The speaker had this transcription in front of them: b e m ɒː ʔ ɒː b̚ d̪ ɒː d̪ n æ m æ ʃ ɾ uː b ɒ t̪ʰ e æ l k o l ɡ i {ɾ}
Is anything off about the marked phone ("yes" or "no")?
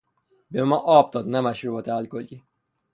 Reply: yes